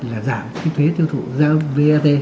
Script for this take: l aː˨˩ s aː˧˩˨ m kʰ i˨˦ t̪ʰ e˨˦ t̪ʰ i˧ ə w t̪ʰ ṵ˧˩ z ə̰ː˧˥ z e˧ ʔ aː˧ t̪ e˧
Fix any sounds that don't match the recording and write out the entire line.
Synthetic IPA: l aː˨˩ z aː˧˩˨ m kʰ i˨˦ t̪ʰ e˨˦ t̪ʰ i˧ ə w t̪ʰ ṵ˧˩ z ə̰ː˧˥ v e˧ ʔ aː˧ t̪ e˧